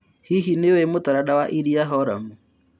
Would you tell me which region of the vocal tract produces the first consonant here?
throat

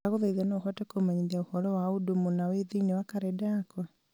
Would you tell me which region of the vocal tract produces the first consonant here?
velum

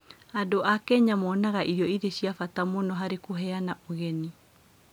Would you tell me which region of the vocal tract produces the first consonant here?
tongue tip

